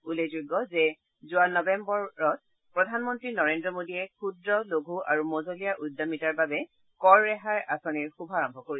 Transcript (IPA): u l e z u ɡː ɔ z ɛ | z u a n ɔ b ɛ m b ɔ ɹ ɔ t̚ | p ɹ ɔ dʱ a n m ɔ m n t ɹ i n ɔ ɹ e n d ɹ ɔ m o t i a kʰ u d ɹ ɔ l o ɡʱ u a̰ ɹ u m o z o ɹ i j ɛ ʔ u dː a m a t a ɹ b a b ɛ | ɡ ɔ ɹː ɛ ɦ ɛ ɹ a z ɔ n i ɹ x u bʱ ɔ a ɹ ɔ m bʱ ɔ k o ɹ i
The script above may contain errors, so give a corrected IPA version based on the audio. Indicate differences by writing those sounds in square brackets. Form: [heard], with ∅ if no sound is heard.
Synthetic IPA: u l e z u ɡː ɔ z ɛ | z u a n ɔ b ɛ m b ɔ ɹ ɔ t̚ | p ɹ ɔ dʱ a n m ɔ [∅] n t ɹ i n ɔ ɹ e n d ɹ ɔ m o [d] i [ɛ] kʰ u d ɹ ɔ l o ɡʱ u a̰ ɹ u m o z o [l] i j [a] ʔ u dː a m [i] t a ɹ b a b ɛ | [k] ɔ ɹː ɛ ɦ [a] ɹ a [s] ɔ n i ɹ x u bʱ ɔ a ɹ ɔ m bʱ ɔ k o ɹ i